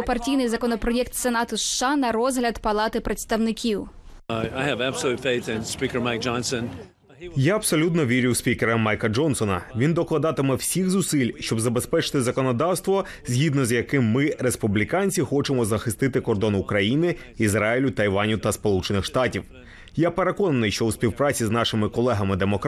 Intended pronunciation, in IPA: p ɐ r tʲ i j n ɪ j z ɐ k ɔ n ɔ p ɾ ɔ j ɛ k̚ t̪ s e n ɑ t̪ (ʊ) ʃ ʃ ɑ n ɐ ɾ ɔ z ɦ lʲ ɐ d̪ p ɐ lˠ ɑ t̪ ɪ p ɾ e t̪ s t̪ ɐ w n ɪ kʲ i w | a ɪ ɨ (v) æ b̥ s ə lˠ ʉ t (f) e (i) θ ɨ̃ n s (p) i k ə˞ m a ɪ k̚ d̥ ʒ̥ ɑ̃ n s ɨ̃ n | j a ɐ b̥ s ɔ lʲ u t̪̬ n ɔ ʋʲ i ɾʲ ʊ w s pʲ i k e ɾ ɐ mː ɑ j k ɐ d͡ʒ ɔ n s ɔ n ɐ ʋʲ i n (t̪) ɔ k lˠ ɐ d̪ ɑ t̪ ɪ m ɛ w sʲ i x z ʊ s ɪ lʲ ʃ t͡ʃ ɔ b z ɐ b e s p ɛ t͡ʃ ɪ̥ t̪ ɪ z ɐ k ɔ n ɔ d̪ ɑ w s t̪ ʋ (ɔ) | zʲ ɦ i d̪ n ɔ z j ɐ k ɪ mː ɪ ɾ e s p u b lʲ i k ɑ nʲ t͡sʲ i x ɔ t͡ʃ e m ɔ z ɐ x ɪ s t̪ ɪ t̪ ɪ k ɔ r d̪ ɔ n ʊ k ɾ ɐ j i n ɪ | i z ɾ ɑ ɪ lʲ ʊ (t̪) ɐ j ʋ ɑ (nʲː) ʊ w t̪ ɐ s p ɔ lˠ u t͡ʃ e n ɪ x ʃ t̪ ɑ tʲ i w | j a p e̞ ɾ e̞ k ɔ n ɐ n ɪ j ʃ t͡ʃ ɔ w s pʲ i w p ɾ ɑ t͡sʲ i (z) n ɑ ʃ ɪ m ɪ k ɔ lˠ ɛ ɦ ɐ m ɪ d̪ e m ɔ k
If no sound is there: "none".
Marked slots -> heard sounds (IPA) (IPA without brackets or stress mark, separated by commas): ʊ, v, f, ɪ, p, d̪, ɔ, t̪, nʲ, z